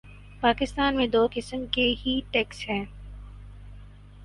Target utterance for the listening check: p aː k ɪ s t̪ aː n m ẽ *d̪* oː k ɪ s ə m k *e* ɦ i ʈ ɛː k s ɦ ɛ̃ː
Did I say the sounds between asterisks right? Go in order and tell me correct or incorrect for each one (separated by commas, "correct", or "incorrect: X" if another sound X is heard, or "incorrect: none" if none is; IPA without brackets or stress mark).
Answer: correct, correct